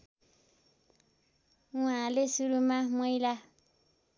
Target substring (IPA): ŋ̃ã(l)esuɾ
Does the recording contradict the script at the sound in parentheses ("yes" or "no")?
no